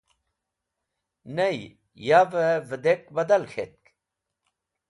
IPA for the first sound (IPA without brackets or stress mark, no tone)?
n